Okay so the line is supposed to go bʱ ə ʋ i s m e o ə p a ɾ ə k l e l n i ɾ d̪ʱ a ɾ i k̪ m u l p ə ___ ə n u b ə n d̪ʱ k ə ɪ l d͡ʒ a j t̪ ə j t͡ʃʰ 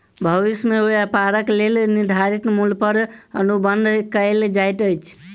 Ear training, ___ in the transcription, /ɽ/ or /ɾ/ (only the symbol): ɾ